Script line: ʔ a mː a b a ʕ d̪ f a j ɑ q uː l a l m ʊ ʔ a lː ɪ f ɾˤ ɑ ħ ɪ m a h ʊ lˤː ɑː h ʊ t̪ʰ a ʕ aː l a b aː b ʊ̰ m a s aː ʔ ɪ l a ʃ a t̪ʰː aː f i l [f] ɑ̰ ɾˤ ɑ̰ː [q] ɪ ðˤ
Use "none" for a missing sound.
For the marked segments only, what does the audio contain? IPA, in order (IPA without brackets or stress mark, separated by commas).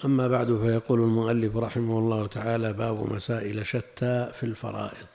f, ʔ